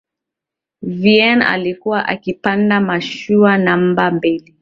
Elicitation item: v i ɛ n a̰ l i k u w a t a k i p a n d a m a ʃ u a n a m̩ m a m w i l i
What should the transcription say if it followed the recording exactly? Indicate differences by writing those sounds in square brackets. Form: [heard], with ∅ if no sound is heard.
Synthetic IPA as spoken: v i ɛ n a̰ l i k u w a [ʔ] a k i p a n d a m a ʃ u a n a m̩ [b] a m [b] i l i